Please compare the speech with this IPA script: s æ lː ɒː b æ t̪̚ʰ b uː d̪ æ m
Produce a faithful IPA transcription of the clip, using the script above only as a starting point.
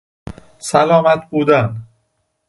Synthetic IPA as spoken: s æ l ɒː m æ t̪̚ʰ b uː d̪ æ n